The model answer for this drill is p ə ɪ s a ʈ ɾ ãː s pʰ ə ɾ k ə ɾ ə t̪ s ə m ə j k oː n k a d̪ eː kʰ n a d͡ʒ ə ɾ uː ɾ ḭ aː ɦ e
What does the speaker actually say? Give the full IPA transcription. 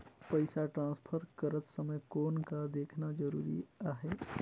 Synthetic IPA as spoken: p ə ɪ s a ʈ ɾ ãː s pʰ ə ɾ k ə ɾ ə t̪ s ə m ə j k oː n k a d̪ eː kʰ n a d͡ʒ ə ɾ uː ɾ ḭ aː ɦ e